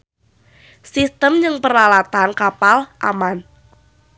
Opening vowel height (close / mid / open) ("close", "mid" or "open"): close